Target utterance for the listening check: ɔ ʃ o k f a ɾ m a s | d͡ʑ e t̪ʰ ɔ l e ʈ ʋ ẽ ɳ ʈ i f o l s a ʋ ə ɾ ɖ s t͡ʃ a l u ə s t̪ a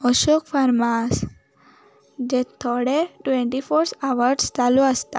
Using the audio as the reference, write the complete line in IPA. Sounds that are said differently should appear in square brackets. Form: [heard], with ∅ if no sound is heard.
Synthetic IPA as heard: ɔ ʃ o k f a ɾ m a s | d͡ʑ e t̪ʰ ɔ [ɽ] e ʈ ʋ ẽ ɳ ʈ i f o [ɾ] s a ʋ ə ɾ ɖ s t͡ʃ a l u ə s t̪ a

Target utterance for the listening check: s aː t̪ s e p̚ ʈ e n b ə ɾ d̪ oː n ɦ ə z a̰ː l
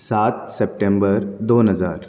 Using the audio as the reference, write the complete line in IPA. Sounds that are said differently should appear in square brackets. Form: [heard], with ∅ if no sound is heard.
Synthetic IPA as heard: s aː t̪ s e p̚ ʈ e [m] b ə ɾ d̪ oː n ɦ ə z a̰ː [ɾ]

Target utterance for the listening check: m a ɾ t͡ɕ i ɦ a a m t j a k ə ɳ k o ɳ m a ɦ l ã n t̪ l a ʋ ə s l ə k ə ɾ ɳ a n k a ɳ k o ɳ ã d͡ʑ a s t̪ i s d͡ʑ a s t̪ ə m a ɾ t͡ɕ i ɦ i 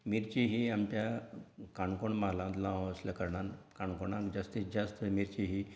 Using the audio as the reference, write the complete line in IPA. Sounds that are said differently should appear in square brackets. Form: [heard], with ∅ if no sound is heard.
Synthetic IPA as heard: m [i] ɾ t͡ɕ i ɦ [i] a m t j a k [a] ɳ k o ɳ m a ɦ l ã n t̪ l a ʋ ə s l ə k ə ɾ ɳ a n k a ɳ k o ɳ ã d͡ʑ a s t̪ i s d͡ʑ a s t̪ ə m [i] ɾ t͡ɕ i ɦ i

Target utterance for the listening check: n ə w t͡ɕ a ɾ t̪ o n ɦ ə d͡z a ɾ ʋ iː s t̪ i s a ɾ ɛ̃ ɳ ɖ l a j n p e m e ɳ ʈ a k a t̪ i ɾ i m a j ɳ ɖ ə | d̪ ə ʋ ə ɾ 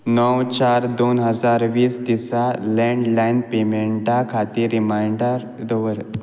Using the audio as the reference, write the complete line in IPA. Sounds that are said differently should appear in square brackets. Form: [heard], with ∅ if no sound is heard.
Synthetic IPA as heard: n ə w t͡ɕ a ɾ [d̪] o n ɦ ə d͡z a ɾ ʋ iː s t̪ i s a [l] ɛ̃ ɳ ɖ l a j n p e m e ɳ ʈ a [kʰ] a t̪ i ɾ i m a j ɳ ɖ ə | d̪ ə ʋ ə ɾ

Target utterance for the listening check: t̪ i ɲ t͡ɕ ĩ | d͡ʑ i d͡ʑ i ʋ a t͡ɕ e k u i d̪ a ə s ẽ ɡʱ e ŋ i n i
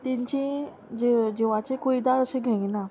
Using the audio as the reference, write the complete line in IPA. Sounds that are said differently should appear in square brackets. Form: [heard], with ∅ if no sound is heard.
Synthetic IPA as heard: t̪ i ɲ t͡ɕ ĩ | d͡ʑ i d͡ʑ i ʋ a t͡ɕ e k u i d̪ a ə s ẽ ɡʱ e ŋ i n [a]

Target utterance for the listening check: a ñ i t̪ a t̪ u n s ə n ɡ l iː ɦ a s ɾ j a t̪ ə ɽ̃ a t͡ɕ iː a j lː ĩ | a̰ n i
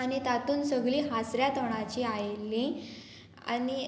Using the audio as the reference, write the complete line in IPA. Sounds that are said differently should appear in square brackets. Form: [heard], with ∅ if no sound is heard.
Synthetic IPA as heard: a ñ i t̪ a t̪ [uː] n s ə [∅] ɡ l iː ɦ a s ɾ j a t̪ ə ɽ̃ a t͡ɕ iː a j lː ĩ | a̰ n i

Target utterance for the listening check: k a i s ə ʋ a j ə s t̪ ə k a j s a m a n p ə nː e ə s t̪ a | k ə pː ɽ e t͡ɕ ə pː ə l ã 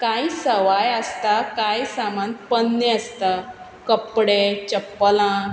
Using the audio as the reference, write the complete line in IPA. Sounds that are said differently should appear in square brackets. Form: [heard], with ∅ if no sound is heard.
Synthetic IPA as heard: k a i s ə ʋ a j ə s t̪ [a] k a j s a m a n p ə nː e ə s t̪ a | k ə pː ɽ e t͡ɕ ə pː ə l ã

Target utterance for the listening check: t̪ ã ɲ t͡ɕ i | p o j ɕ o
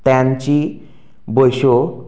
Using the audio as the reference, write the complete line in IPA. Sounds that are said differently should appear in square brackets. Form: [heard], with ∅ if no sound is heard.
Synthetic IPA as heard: t̪ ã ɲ t͡ɕ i | [b] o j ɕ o

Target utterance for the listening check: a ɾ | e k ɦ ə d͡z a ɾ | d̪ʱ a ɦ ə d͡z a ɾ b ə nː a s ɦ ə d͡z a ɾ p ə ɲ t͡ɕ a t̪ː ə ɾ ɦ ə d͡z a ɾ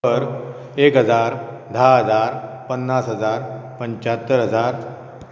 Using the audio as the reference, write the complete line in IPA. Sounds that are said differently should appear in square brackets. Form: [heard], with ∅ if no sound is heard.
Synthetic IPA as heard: [ə] ɾ | e k ɦ ə d͡z a ɾ | d̪ʱ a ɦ ə d͡z a ɾ [p] ə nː a s ɦ ə d͡z a ɾ p ə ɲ t͡ɕ a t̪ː ə ɾ ɦ ə d͡z a ɾ

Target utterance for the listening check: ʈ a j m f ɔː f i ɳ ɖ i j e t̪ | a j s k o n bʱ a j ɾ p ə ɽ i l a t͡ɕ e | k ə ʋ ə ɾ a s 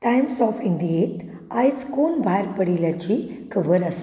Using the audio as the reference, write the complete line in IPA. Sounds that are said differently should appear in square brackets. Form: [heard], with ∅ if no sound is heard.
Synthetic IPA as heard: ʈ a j m [s] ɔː f i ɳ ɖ i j e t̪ | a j s k o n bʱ a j ɾ p ə ɽ i l a t͡ɕ [i] | k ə ʋ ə ɾ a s

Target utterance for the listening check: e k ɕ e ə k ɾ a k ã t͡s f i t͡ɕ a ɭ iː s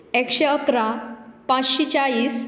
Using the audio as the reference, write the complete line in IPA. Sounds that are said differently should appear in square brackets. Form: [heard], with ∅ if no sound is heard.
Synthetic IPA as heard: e k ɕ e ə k ɾ a [p] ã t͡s [ɕ] i t͡ɕ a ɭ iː s

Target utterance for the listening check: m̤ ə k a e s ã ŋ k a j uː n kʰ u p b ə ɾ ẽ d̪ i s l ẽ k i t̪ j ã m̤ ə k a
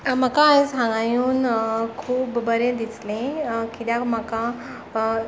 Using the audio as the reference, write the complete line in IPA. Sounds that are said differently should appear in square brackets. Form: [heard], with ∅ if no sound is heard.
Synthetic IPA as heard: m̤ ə k a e s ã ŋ [ɡ] a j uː n kʰ [uː] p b ə ɾ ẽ d̪ i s l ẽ k i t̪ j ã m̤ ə k a

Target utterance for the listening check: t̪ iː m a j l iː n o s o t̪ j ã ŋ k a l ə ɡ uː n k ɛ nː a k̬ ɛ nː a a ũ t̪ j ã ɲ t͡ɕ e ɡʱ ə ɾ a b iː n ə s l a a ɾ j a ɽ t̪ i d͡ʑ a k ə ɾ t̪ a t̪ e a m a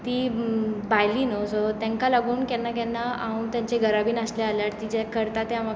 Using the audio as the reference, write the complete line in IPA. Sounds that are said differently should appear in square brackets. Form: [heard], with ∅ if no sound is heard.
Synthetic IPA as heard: t̪ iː [b] a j l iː n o s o t̪ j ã ŋ k a l [a] ɡ uː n k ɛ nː a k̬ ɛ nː a a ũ t̪ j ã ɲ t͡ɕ e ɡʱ ə ɾ a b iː n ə s l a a [l] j a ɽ t̪ i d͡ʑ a k ə ɾ t̪ a t̪ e a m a

